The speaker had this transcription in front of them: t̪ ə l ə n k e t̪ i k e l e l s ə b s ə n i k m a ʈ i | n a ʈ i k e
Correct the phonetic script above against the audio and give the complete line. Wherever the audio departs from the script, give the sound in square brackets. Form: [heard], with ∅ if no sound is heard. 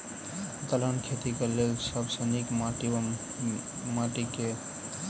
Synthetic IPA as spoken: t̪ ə l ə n [kʰ] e t̪ i k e l e l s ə b s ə n i k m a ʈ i | [m] a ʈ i k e